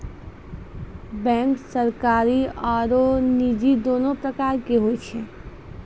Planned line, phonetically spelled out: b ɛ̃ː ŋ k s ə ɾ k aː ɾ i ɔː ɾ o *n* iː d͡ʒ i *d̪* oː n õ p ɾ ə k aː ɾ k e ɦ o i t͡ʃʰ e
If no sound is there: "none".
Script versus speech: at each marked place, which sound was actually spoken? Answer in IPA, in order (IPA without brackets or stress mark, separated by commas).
n, d̪